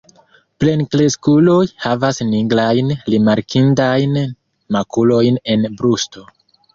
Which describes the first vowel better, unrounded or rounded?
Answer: unrounded